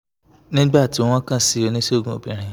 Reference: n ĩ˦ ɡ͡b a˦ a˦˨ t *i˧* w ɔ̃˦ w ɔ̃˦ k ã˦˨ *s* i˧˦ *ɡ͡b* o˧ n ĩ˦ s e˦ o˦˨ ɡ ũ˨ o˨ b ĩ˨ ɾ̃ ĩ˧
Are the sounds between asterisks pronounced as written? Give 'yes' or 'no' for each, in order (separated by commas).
yes, yes, no